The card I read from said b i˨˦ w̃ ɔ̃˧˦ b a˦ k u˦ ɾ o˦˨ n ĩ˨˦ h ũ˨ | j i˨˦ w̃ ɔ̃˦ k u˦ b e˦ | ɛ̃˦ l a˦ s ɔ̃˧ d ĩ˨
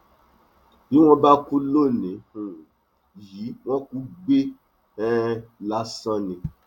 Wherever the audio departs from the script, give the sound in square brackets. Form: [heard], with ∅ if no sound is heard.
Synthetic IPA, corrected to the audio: b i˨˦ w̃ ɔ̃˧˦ b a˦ k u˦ [l] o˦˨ n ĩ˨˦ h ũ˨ | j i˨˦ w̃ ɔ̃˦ k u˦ [ɡ͡b] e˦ | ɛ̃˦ l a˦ s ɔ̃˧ [n] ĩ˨